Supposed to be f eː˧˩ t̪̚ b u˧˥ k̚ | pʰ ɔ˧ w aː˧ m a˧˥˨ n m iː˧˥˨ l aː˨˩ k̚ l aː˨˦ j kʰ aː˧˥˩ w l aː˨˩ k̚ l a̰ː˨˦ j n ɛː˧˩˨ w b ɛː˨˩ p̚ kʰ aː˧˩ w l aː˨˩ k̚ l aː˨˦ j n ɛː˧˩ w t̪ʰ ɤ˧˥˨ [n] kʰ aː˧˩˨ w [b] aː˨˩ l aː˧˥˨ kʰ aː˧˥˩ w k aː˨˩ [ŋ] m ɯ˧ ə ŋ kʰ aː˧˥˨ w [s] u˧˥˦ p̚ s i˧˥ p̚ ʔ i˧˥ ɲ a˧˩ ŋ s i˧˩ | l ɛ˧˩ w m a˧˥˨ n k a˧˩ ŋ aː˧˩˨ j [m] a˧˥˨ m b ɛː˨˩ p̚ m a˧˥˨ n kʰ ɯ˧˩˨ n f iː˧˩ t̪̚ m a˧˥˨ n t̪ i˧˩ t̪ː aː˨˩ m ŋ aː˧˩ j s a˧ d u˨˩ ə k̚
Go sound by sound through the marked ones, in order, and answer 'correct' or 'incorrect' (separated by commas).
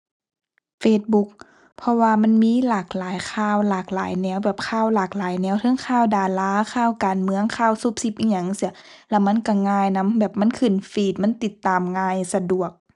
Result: incorrect, incorrect, incorrect, correct, incorrect